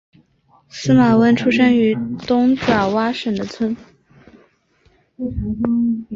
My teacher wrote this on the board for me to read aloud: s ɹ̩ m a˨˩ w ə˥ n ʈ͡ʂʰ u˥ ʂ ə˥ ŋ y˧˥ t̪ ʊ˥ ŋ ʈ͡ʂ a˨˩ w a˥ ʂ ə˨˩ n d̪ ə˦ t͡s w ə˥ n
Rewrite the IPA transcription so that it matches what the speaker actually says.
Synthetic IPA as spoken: s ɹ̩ m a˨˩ w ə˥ n ʈ͡ʂʰ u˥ ʂ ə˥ ŋ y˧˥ t̪ ʊ˥ ŋ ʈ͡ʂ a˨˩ w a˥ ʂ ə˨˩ n d̪ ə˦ t͡sʰ w ə˥ n

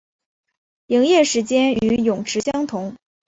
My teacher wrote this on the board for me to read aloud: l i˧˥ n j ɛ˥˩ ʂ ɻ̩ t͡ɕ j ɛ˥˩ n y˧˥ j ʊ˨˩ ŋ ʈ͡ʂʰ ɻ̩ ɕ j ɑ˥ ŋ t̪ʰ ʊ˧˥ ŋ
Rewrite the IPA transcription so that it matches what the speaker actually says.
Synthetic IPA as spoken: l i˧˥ ŋ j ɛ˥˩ ʂ ɻ̩ t͡ɕ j ɛ˥ n y˧˥ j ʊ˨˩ ŋ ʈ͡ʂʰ ɻ̩ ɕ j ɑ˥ ŋ t̪ʰ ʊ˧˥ ŋ

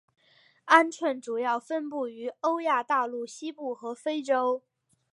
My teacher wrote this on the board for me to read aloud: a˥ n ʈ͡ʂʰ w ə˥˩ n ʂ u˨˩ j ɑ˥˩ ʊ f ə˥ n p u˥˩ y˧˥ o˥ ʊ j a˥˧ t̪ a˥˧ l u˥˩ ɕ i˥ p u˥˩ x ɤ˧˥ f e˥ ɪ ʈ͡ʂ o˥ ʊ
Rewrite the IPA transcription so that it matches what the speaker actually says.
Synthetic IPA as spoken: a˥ n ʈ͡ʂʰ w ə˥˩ n ʈ͡ʂ u˨˩ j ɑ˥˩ ʊ f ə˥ n p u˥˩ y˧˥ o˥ ʊ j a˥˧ t̪ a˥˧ l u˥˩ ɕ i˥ p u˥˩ x ɤ˧˥ f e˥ ɪ ʈ͡ʂ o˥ ʊ

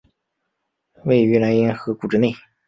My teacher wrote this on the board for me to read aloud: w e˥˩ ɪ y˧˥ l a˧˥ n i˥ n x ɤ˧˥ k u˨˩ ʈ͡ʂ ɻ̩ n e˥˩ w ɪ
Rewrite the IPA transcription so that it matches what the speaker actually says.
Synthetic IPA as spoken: w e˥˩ ɪ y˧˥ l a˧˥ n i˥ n x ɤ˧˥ k u˨˩ ʈ͡ʂ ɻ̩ n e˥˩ ɪ

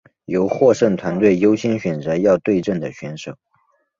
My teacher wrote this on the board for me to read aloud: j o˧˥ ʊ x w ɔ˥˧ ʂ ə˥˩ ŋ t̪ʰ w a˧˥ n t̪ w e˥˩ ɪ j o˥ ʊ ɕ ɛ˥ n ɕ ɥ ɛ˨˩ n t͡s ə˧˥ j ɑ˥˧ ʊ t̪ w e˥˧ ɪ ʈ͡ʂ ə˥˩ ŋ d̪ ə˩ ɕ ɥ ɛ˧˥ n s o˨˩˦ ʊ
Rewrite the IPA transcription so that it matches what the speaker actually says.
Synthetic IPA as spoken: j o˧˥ ʊ x w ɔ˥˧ ʂ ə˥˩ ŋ t̪ʰ w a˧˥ n t̪ w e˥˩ ɪ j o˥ ʊ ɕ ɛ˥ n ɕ ɥ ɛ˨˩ n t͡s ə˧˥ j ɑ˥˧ ʊ t̪ w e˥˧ ɪ ʈ͡ʂ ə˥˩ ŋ d̪ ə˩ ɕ ɥ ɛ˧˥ n ʂ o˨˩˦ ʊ

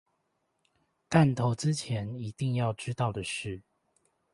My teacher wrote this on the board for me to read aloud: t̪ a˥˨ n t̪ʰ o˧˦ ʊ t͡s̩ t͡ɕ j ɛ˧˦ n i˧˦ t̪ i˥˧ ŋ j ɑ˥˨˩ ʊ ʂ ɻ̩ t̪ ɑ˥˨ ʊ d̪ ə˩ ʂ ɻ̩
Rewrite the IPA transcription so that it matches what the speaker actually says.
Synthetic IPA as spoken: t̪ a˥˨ n t̪ʰ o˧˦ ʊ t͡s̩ t͡ɕʰ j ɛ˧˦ n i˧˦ t̪ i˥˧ ŋ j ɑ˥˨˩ ʊ ʈ͡ʂ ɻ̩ t̪ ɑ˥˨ ʊ d̪ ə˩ ʂ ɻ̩

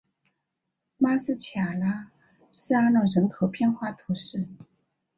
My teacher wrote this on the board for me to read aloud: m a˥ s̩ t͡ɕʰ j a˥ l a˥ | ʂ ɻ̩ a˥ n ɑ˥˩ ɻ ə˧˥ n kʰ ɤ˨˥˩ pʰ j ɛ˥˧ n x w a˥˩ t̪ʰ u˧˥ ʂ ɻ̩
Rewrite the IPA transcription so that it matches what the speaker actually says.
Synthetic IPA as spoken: m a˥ s̩ t͡ɕʰ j a˨˩ l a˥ | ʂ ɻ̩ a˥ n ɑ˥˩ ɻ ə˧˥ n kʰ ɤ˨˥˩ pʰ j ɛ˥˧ n x w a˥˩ t̪ʰ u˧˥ ʂ ɻ̩

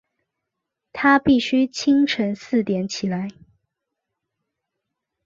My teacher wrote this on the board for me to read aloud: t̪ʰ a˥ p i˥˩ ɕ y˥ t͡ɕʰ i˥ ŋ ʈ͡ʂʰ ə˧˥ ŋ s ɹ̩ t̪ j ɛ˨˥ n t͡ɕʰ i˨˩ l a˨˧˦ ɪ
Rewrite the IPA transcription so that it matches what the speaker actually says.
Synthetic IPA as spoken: t̪ʰ a˥ p i˥˩ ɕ y˥ t͡ɕʰ i˥ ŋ ʈ͡ʂʰ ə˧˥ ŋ s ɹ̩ t̪ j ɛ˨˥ n t͡ɕʰ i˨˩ l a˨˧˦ ɪ

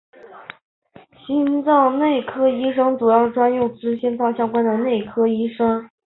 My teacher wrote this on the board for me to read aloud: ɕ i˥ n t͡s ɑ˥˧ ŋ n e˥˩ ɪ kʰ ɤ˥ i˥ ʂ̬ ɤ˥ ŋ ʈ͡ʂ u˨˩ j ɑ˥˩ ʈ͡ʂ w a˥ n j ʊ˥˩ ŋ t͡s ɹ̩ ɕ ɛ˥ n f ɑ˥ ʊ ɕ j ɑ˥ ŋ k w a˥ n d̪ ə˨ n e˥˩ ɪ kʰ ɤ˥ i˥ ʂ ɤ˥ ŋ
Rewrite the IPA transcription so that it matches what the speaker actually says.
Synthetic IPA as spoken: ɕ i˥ n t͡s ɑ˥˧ ŋ n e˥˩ ɪ kʰ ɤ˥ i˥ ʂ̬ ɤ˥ ŋ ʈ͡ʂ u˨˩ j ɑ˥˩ ʈ͡ʂ w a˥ n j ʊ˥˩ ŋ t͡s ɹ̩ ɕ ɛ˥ n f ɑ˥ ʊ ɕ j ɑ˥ ŋ k w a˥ n d̪ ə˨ n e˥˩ ɪ kʰ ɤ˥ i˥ ʂ ɤ˥ ŋ

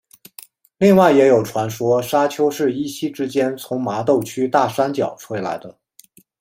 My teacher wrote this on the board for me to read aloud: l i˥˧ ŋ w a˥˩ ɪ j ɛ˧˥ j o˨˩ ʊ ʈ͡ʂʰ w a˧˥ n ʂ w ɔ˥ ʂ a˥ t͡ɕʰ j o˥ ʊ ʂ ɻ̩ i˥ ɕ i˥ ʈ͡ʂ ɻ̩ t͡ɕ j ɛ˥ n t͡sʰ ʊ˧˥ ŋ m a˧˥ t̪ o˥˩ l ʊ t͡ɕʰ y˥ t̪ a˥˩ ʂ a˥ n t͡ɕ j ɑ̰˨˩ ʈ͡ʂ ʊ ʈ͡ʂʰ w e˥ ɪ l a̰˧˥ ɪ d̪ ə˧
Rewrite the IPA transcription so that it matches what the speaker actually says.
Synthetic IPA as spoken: l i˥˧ ŋ w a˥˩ ɪ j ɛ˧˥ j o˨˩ ʊ ʈ͡ʂʰ w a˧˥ n ʂ w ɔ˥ ʂ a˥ t͡ɕʰ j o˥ ʊ ʂ ɻ̩ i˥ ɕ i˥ ʈ͡ʂ ɻ̩ t͡ɕ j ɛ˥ n t͡sʰ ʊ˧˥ ŋ m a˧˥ t̪ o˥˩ ʊ t͡ɕʰ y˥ t̪ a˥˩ ʂ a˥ n t͡ɕ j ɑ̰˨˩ ʊ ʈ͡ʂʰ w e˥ ɪ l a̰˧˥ ɪ d̪ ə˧

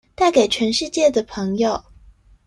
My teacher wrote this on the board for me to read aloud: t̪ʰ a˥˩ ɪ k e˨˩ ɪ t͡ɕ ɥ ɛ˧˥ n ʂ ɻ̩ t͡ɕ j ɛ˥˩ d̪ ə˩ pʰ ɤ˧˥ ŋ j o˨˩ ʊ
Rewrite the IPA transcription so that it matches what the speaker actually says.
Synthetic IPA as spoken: t̪ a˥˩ ɪ k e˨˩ ɪ t͡ɕʰ ɥ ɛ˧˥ n ʂ ɻ̩ t͡ɕ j ɛ˥˩ d̪ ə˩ pʰ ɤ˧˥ ŋ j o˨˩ ʊ

